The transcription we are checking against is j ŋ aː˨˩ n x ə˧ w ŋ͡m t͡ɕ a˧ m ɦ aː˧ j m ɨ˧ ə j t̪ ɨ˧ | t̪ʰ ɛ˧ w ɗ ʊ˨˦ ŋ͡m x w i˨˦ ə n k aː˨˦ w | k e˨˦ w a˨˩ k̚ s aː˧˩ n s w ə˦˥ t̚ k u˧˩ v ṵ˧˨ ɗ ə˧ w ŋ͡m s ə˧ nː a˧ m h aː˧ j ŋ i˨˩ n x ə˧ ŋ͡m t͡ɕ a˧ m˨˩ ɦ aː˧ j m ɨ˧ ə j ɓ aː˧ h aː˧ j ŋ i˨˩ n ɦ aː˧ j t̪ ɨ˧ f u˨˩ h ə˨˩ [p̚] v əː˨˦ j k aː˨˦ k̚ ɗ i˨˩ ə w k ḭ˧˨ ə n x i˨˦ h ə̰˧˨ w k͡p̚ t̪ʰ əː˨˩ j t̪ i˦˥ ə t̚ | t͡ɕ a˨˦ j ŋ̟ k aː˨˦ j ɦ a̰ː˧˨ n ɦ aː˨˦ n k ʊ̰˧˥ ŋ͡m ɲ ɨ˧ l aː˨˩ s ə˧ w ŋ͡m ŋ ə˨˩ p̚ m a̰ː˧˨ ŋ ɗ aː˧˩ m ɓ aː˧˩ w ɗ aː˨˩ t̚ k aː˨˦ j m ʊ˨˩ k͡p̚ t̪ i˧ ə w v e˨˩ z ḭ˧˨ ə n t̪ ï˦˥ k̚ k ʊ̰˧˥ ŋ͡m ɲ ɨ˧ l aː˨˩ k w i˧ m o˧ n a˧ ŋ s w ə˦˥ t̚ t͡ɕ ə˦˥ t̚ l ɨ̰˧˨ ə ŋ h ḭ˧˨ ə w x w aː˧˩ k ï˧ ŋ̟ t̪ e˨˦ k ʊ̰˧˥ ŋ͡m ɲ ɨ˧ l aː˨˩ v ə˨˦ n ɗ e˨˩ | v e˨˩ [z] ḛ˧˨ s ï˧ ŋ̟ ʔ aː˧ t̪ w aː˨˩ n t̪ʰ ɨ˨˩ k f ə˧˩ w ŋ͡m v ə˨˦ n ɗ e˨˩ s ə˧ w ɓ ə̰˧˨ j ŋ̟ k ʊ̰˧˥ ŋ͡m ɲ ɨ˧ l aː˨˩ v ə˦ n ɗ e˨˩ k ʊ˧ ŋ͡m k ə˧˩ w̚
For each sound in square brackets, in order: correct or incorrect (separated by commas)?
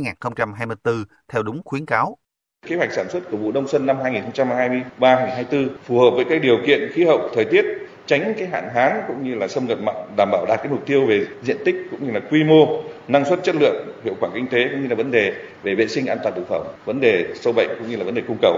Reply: correct, incorrect